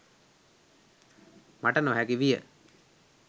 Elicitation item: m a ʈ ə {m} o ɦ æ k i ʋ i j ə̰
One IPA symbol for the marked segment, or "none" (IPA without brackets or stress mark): n